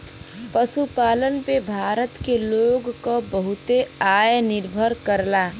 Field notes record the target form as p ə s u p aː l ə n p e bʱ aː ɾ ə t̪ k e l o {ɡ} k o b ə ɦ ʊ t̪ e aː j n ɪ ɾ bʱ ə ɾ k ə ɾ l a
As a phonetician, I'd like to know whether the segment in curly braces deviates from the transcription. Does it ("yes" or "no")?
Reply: no